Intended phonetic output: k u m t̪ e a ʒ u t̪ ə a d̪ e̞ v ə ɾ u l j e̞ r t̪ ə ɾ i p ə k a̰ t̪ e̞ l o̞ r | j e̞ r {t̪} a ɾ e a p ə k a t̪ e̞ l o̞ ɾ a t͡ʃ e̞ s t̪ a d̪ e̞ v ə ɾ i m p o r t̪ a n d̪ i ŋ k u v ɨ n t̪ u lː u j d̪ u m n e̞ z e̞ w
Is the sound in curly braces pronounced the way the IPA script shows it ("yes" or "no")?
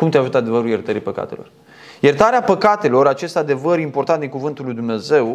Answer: yes